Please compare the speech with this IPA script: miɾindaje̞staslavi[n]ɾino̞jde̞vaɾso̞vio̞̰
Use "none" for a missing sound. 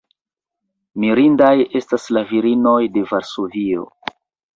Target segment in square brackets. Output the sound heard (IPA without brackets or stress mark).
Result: none